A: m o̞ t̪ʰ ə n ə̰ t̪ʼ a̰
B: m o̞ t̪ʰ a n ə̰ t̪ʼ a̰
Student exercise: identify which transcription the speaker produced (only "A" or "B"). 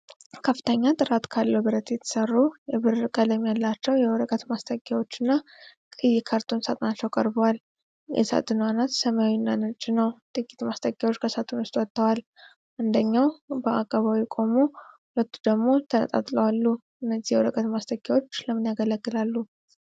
A